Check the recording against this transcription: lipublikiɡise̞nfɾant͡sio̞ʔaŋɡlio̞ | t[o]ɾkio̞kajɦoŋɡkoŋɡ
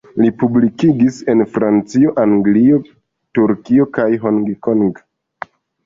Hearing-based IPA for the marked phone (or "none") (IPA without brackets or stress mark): u